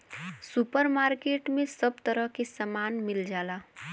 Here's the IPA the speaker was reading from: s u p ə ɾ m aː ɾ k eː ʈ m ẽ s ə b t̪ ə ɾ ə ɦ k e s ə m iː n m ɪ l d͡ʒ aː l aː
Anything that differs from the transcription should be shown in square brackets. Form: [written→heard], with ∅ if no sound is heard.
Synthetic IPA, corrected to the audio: s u p ə ɾ m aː ɾ k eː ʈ m ẽ s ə b t̪ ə ɾ ə ɦ k e s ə m [iː→aː] n m ɪ l d͡ʒ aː l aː